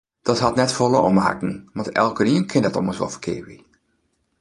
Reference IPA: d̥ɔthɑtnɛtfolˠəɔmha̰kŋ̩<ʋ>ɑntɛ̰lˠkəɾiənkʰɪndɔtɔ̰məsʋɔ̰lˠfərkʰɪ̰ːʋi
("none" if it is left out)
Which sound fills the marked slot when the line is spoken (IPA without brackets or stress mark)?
ʋ